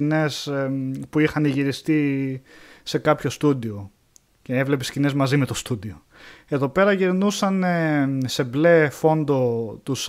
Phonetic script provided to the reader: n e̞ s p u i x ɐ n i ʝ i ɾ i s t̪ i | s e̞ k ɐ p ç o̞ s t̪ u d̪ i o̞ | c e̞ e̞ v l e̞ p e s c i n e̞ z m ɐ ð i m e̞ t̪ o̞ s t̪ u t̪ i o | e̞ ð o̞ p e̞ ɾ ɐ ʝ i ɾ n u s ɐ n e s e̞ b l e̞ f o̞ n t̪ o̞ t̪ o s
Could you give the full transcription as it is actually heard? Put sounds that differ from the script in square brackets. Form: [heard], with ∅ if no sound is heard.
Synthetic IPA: n e̞ s p u i x ɐ n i ʝ i ɾ i s t̪ i | s e̞ k ɐ p ç o̞ s t̪ u d̪ i o̞ | c e̞ e̞ v l e̞ p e s c i n e̞ z m ɐ [z] i m e̞ t̪ o̞ s t̪ u [d̪] i o | e̞ ð o̞ p e̞ ɾ ɐ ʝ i ɾ n u s ɐ n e s e̞ b l e̞ f o̞ n [d̪] o̞ t̪ [u] s